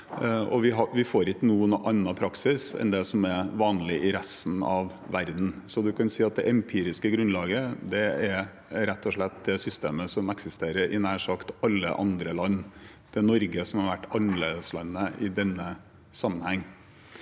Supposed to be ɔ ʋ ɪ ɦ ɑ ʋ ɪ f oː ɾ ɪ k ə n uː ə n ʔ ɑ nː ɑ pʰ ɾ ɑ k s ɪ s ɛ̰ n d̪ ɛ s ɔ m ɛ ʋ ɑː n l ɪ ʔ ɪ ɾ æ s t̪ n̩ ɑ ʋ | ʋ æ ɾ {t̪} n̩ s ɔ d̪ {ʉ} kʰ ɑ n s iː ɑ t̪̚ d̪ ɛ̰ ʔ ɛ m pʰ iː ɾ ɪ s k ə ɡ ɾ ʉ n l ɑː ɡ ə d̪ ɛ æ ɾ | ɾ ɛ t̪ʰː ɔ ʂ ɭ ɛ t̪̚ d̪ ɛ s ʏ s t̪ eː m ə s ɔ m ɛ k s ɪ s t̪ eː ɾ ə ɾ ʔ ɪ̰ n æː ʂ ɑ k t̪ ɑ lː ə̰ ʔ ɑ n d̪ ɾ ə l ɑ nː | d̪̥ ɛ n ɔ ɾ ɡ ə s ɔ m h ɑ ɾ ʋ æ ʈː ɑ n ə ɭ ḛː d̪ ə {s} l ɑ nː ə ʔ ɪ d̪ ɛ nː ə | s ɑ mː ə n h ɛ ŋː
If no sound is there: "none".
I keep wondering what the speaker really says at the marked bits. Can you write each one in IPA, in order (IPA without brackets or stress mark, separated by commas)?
d̪, ʉ, s